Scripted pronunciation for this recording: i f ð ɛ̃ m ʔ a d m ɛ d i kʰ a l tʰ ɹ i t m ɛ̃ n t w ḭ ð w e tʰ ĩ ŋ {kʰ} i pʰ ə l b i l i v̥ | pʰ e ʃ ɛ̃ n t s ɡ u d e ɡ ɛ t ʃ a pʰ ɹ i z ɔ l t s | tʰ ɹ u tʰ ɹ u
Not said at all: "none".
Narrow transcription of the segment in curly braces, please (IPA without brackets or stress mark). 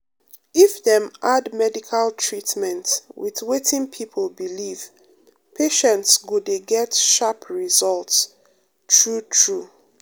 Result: pʰ